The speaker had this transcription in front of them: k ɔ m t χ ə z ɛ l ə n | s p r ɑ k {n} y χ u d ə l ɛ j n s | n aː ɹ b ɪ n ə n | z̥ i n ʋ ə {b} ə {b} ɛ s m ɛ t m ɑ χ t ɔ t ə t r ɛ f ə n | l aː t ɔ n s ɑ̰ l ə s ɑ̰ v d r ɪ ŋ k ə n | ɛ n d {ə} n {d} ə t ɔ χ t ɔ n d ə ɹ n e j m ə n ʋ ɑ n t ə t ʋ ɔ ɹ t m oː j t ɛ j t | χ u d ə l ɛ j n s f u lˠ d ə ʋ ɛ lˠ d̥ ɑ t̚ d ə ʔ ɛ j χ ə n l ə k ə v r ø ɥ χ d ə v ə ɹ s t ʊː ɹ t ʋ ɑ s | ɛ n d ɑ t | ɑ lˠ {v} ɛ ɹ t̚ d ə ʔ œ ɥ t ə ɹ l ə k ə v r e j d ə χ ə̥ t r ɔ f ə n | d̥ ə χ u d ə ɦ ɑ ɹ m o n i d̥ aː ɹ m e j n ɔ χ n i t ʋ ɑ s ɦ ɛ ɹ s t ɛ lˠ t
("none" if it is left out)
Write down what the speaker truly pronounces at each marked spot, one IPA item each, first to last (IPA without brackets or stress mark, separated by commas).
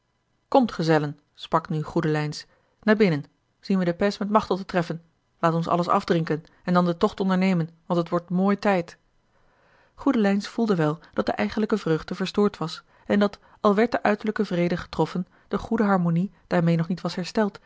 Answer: n, d, p, ɑ, d, ʋ